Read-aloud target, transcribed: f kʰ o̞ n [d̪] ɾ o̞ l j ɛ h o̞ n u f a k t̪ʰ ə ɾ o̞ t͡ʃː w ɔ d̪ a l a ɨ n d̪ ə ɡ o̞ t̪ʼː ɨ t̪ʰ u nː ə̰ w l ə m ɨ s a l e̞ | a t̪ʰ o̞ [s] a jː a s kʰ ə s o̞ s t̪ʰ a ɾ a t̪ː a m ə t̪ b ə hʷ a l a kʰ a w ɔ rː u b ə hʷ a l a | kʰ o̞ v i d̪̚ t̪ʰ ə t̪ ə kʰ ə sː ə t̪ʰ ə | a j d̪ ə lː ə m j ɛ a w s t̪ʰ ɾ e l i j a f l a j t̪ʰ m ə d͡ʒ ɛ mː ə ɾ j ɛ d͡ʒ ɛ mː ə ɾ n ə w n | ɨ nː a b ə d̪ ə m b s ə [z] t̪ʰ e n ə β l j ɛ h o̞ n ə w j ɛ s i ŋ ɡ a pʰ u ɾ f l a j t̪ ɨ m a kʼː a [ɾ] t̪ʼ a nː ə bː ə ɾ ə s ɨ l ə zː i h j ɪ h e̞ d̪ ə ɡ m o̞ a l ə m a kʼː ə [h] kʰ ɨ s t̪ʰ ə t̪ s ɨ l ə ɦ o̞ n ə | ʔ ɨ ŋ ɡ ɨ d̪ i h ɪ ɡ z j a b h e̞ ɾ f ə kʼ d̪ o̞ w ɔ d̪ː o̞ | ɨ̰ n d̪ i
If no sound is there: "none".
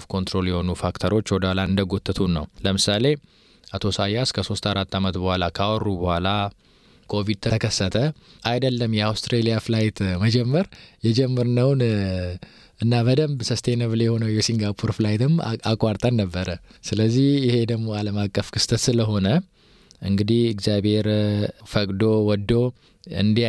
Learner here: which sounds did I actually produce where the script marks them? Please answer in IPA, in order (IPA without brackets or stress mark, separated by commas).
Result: t̪, s, s, ɾ, f